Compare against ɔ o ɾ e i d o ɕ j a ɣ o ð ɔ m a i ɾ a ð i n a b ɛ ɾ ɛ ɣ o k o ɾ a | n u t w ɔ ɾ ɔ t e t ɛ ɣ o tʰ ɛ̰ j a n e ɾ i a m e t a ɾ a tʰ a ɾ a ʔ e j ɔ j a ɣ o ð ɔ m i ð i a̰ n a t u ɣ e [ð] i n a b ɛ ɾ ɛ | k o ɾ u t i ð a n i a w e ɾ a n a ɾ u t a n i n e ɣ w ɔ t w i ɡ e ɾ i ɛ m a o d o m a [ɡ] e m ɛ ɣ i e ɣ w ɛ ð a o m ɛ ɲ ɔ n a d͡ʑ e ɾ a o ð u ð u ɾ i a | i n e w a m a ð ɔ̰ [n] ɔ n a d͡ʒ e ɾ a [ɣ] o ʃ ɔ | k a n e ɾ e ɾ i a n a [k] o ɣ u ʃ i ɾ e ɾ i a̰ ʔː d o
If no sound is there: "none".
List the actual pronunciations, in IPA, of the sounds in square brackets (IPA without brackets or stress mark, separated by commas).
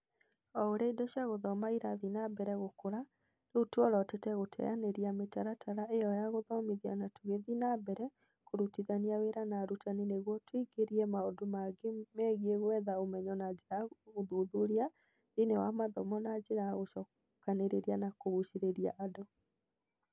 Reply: ð, ɡ, m, ɣ, k